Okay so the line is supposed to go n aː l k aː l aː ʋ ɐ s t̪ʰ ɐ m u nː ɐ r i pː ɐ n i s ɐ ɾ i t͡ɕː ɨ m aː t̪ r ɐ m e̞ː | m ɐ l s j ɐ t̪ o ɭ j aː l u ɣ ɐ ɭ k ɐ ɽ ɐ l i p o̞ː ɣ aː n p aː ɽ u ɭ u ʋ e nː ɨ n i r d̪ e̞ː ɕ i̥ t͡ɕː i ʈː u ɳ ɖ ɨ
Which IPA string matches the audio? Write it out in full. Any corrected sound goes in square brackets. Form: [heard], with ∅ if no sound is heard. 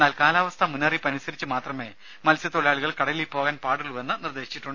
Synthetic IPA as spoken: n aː l k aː l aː ʋ ɐ s t̪ʰ ɐ m u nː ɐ r i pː ɐ n i s ɐ ɾ i t͡ɕː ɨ m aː t̪ r ɐ m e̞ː | m ɐ l s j ɐ t̪ o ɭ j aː [ɭ] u ɣ ɐ ɭ k ɐ ɽ ɐ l i p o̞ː ɣ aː n p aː ɽ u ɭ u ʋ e nː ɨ n i r d̪ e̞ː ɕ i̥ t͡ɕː i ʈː u ɳ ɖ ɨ

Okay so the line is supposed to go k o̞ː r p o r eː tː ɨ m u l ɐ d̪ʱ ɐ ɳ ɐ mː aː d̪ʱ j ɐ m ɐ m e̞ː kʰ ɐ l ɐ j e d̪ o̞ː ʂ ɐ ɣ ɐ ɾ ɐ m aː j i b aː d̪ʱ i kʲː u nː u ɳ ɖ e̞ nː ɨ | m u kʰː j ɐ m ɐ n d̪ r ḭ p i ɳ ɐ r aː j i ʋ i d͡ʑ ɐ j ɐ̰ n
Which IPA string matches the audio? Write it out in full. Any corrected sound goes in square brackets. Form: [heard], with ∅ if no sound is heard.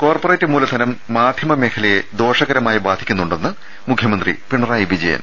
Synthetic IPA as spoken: k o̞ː r p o r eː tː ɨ m [uː] l ɐ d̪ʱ ɐ [n] ɐ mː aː d̪ʱ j ɐ m ɐ m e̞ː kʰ ɐ l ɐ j e d̪ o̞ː ʂ ɐ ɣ ɐ ɾ ɐ m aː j i b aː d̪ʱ i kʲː u nː u ɳ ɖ e̞ nː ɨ | m u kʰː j ɐ m ɐ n d̪ r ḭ p i ɳ ɐ r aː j i ʋ i d͡ʑ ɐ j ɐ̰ n

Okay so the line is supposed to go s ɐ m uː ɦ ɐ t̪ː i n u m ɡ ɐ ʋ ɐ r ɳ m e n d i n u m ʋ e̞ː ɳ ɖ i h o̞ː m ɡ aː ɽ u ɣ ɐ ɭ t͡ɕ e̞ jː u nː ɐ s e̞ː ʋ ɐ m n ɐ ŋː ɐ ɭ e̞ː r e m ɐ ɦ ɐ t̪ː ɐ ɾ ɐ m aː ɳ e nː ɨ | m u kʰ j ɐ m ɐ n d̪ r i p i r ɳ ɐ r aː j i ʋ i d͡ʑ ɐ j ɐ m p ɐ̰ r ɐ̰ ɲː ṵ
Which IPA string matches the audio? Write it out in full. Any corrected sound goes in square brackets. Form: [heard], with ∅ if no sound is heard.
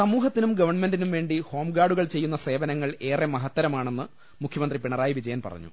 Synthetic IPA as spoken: s ɐ m uː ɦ ɐ t̪ː i n u m ɡ ɐ ʋ ɐ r ɳ m e n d i n u m ʋ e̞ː ɳ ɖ i h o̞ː m ɡ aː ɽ u ɣ ɐ ɭ t͡ɕ e̞ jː u nː ɐ s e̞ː ʋ ɐ [∅] n ɐ ŋː ɐ ɭ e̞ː r e m ɐ ɦ ɐ t̪ː ɐ ɾ ɐ m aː ɳ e nː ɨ | m u kʰ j ɐ m ɐ n d̪ r i p i [∅] ɳ ɐ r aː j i ʋ i d͡ʑ ɐ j ɐ [n] p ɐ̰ r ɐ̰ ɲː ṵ

